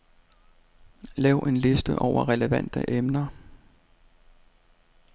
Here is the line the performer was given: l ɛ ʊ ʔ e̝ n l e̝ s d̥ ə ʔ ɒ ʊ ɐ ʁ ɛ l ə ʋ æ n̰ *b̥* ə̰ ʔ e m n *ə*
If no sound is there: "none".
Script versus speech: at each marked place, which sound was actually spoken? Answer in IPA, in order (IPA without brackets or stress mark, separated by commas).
d̥, ɐ